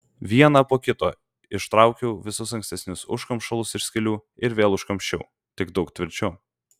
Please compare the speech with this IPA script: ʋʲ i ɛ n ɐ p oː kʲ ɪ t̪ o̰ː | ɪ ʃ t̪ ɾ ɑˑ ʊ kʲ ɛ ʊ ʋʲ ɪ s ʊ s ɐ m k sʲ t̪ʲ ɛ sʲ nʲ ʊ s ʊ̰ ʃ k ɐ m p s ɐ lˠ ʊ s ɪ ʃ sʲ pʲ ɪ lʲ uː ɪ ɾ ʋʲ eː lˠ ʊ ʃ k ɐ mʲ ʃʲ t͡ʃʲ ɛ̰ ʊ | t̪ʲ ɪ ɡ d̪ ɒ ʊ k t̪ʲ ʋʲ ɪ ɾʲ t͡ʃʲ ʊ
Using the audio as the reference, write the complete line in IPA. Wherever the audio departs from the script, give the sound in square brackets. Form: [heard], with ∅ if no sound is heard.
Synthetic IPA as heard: ʋʲ i ɛ n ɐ p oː kʲ ɪ t̪ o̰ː | ɪ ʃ t̪ ɾ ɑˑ ʊ kʲ ɛ ʊ ʋʲ ɪ s ʊ s ɐ [ŋ] k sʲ t̪ʲ ɛ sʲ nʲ ʊ s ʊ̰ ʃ k ɐ m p [ʃ] ɐ lˠ ʊ s ɪ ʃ sʲ [kʲ] ɪ lʲ uː ɪ ɾ ʋʲ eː lˠ ʊ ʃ k ɐ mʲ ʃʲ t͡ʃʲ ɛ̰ ʊ | t̪ʲ ɪ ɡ d̪ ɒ ʊ k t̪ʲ ʋʲ ɪ ɾʲ t͡ʃʲ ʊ